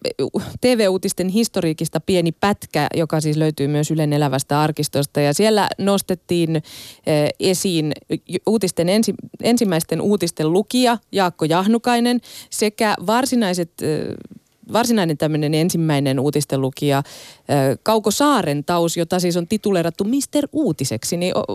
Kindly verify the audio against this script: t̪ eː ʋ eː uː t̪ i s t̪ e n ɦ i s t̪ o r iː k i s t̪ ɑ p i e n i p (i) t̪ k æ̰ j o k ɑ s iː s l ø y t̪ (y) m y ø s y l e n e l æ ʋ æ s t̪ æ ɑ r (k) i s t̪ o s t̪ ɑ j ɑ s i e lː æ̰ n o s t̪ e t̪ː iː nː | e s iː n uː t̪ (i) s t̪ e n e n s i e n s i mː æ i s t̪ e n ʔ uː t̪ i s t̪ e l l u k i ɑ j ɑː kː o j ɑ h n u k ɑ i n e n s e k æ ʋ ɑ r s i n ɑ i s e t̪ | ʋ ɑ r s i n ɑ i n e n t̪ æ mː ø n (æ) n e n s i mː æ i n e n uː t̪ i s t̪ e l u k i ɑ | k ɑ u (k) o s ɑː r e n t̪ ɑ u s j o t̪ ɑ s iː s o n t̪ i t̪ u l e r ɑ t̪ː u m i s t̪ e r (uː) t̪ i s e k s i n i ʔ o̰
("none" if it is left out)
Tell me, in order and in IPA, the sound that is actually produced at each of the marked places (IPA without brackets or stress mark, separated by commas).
æ, yː, k, i, e, k, uː